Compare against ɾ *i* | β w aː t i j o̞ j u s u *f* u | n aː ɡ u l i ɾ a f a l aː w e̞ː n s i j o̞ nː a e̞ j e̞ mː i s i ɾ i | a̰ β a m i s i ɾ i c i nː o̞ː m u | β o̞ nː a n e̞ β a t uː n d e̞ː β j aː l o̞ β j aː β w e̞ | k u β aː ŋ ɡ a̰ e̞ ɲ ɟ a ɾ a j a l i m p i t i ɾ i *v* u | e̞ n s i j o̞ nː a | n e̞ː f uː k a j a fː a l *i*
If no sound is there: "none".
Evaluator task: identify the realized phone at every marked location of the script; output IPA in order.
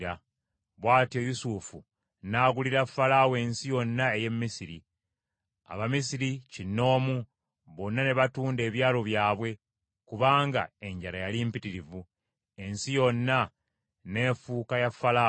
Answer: a, f, v, a

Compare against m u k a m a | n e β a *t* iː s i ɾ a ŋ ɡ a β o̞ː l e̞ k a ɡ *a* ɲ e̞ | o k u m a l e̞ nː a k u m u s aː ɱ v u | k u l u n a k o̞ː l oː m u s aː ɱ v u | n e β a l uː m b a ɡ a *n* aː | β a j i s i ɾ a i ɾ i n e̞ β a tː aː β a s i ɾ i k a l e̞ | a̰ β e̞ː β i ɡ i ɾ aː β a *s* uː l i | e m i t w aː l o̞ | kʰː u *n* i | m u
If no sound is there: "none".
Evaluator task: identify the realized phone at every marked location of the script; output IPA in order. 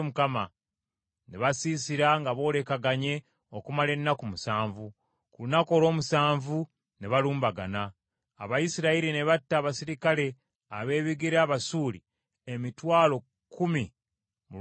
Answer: s, a, n, s, m

